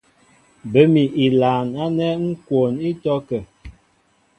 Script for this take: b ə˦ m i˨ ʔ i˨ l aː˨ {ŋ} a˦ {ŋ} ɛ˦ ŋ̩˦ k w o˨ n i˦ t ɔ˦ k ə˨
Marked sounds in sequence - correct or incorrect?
incorrect, incorrect

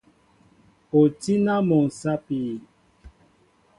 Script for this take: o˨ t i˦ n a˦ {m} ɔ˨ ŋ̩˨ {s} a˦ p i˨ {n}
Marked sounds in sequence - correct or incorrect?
correct, correct, incorrect

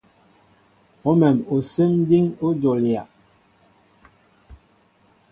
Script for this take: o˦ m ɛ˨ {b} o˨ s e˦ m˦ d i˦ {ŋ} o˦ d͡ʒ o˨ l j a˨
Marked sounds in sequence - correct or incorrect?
incorrect, correct

